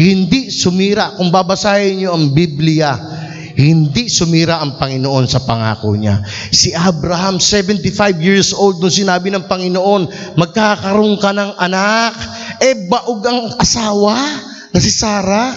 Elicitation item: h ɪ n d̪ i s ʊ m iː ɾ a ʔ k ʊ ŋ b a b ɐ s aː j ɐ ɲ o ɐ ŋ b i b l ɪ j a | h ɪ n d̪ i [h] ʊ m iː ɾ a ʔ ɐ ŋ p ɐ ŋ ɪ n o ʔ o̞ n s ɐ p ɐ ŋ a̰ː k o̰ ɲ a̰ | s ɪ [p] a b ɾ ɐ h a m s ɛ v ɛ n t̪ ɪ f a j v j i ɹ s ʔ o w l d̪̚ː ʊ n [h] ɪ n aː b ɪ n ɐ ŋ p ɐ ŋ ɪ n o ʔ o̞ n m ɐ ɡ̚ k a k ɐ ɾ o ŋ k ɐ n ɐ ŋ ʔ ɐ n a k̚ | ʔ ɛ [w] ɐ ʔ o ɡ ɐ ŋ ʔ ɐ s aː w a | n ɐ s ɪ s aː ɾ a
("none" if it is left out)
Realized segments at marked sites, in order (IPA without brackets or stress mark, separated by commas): s, ʔ, s, b